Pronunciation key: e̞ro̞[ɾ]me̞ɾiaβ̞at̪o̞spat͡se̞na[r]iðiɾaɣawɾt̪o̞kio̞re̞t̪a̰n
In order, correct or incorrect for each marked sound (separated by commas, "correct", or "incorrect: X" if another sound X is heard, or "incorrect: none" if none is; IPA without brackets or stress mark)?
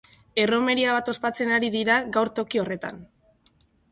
incorrect: none, incorrect: ɾ